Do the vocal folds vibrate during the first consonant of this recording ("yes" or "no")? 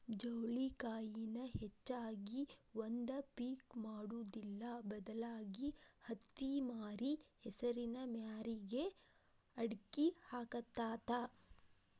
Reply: yes